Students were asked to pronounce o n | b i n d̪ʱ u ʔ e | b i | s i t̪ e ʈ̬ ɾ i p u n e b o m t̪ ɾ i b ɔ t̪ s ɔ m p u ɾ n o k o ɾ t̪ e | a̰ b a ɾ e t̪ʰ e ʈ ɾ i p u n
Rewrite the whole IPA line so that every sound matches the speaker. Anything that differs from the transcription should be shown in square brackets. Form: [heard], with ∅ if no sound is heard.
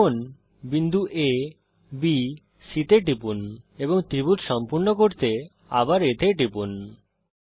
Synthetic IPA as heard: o n | b i n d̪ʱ u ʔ e | b i | s i t̪ e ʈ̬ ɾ i p u n e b o [ŋ] t̪ ɾ i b [u] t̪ [ʃ] ɔ m p u ɾ n o k o ɾ t̪ e | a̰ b a ɾ e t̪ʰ e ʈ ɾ i p u n